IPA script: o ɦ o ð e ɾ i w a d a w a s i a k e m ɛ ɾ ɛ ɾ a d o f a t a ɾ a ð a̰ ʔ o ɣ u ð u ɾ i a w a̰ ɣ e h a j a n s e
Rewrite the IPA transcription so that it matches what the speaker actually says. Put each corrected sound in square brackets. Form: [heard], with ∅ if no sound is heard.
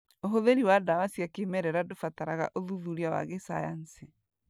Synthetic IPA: o ɦ o ð e ɾ i w a d a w a s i a k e m ɛ ɾ ɛ ɾ a d o f a t a ɾ a [ɣ] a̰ ʔ o [ð] u ð u ɾ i a w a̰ ɣ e [s] a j a n s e